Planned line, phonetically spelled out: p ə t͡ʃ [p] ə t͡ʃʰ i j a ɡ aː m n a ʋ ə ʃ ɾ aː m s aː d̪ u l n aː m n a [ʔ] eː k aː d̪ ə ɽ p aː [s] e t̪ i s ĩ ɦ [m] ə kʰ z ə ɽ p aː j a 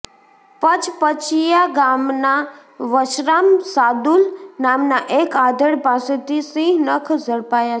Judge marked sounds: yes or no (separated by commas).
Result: yes, yes, yes, no